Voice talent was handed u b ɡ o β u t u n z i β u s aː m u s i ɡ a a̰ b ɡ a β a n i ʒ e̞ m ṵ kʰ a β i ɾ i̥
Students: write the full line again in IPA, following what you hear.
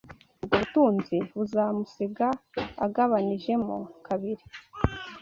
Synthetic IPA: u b ɡ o β u t uː n z i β u z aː m u s i ɡ a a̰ ɡ a β a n i ʒ e̞ m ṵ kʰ a β i ɾ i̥